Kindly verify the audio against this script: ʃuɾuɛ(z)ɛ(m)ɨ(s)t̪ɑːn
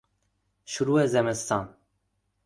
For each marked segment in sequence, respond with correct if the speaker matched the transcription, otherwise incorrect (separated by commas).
correct, correct, correct